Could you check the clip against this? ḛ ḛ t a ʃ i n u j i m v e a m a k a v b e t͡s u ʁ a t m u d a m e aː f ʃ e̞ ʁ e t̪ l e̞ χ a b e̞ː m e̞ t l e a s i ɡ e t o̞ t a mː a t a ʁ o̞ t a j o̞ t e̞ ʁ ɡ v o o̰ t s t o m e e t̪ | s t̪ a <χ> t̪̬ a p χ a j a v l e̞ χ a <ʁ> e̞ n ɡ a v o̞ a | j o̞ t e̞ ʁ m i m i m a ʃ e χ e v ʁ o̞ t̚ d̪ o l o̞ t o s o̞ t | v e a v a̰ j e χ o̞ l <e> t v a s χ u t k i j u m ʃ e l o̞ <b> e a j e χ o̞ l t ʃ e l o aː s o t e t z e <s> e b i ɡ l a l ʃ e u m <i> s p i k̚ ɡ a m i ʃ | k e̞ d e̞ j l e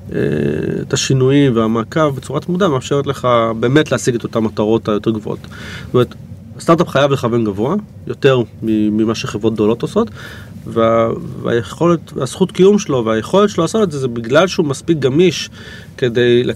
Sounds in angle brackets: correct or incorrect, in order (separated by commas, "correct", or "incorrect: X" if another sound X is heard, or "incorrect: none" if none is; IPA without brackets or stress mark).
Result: incorrect: ʁ, incorrect: v, correct, incorrect: v, incorrect: z, incorrect: a